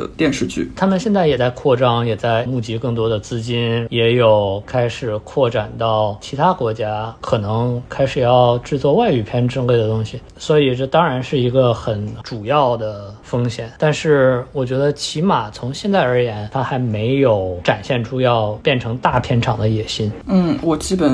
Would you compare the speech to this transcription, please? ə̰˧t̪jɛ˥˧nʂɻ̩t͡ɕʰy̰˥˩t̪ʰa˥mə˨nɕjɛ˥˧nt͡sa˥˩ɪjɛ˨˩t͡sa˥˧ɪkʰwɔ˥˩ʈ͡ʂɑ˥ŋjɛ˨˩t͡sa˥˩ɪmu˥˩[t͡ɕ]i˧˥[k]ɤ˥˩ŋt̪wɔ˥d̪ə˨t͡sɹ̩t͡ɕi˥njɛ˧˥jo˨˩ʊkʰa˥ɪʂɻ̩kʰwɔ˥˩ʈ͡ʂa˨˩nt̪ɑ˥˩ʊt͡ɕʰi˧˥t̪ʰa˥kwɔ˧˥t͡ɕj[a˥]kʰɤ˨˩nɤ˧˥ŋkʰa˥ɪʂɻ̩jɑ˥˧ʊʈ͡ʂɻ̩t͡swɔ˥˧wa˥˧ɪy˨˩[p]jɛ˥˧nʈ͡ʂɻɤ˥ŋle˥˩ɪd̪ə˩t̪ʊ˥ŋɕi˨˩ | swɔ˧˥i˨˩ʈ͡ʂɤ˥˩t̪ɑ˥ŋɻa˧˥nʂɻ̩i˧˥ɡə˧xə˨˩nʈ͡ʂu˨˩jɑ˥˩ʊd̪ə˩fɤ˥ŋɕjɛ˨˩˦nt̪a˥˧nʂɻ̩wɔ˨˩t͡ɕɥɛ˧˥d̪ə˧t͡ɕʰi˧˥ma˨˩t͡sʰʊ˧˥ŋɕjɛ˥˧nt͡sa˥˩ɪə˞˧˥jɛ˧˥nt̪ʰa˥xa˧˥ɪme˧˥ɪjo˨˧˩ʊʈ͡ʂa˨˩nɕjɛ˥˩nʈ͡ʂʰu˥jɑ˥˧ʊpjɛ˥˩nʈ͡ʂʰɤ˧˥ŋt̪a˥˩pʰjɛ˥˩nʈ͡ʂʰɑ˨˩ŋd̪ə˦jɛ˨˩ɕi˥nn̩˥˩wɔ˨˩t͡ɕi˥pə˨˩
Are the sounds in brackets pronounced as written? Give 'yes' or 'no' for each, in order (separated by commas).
yes, yes, yes, no